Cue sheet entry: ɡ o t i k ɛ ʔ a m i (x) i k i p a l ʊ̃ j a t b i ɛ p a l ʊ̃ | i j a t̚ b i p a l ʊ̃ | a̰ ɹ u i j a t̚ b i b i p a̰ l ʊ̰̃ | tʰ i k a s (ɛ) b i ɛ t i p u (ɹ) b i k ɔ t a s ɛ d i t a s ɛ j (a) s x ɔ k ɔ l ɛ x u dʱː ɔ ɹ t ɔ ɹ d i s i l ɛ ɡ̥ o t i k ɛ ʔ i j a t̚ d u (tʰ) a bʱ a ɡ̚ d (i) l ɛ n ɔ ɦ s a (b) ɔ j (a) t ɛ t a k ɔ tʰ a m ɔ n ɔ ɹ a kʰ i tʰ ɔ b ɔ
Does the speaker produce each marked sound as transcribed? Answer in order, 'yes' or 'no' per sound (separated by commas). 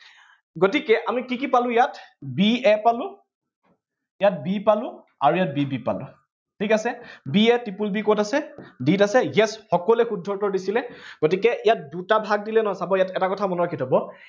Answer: no, yes, no, no, no, yes, yes, yes